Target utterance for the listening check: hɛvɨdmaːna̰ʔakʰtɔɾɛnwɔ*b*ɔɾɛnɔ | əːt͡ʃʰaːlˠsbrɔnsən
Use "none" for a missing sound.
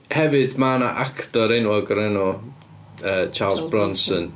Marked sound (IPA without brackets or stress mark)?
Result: ɡ